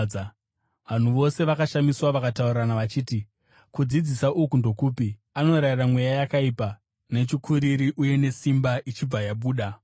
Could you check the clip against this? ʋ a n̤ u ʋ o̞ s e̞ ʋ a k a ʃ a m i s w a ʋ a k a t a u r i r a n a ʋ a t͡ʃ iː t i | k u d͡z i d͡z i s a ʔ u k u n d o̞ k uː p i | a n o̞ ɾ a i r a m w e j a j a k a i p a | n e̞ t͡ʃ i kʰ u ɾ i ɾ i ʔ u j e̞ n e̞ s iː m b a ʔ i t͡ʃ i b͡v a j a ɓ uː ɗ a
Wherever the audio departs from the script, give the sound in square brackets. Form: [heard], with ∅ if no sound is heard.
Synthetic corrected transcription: ʋ a n̤ u ʋ o̞ s e̞ ʋ a k a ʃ a m i s w a ʋ a k a t a u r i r a n a ʋ a t͡ʃ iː t i | k u d͡z i d͡z i s a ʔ u k u n d o̞ k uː p i | a n o̞ ɾ a i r a m w e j a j a k a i p a | n e̞ t͡ʃ i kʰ u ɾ i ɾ i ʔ u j e̞ n e̞ s [i] m b a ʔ i t͡ʃ i b͡v a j a ɓ uː ɗ a